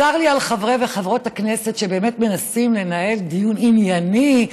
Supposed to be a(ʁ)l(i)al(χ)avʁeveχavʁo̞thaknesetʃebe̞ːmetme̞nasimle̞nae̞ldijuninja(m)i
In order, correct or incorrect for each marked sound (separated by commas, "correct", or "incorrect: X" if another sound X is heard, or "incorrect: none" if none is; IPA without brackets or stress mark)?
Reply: correct, correct, correct, incorrect: n